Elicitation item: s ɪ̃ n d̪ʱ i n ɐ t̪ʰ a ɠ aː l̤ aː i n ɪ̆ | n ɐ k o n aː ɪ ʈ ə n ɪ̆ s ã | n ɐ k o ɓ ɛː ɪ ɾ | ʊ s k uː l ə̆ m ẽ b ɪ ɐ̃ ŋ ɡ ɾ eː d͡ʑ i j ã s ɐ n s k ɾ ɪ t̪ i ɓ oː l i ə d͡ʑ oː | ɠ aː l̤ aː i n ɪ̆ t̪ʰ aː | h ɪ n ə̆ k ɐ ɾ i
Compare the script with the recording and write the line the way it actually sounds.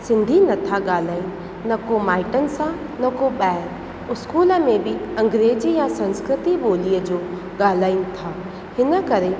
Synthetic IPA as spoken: s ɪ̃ n d̪ʱ i n ɐ t̪ʰ a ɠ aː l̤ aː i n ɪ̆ | n ɐ k o m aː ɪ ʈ ə n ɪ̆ s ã | n ɐ k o ɓ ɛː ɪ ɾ | ʊ s k uː l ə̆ m ẽ b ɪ ɐ̃ ŋ ɡ ɾ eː d͡ʑ i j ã s ɐ̃ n s k ɾ ɪ t̪ i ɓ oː l i ə d͡ʑ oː | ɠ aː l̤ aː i n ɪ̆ t̪ʰ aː | h ɪ n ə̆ k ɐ ɾ e